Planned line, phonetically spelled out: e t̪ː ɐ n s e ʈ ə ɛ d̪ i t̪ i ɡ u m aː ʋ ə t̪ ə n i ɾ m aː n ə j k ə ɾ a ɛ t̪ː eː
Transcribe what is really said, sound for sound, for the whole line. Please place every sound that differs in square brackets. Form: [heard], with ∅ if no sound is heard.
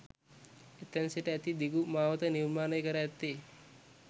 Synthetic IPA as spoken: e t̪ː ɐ n s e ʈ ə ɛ [t̪] i [d̪] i ɡ u m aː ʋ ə t̪ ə n i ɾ m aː n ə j k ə ɾ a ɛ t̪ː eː